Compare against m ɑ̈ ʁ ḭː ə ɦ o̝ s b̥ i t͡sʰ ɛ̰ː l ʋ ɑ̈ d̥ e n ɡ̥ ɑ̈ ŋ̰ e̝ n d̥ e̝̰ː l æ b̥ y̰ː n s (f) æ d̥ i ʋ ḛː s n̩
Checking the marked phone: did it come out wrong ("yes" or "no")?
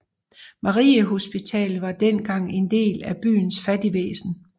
no